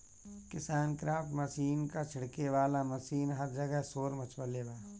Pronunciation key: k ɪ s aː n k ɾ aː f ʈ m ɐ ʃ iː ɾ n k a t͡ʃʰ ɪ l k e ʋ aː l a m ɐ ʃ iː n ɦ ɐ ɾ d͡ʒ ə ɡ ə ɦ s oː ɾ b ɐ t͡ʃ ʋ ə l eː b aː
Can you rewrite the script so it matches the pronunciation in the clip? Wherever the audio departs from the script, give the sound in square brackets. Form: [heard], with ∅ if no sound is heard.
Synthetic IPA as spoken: k ɪ s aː n k ɾ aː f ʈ m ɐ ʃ iː [∅] n k a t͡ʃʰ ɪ [ɽ] k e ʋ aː l a m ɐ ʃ iː n ɦ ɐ ɾ d͡ʒ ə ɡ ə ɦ s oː ɾ [m] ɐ t͡ʃ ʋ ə l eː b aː